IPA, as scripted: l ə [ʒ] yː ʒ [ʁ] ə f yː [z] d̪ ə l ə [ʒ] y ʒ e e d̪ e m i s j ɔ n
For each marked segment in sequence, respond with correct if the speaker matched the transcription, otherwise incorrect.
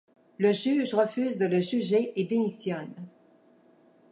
correct, correct, correct, correct

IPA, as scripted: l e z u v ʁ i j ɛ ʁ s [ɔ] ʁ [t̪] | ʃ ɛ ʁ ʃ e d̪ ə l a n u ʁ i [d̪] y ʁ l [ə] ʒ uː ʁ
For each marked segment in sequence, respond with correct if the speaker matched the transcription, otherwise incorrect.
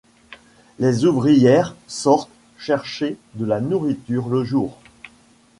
correct, correct, incorrect: t̪, correct

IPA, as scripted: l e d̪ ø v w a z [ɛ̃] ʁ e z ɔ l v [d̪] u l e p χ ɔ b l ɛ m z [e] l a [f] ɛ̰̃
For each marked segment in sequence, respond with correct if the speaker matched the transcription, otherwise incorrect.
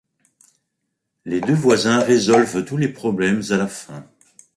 correct, incorrect: t̪, incorrect: a, correct

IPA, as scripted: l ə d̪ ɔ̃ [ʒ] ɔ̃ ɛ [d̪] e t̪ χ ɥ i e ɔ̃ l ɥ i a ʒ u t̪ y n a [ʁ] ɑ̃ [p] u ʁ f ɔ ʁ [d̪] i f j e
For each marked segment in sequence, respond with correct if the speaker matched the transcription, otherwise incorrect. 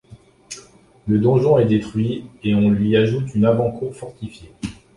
correct, correct, incorrect: v, incorrect: k, incorrect: t̪

